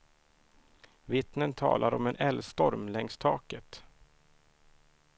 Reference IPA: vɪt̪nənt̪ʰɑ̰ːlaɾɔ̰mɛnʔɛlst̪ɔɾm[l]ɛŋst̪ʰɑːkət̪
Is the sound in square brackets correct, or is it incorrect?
correct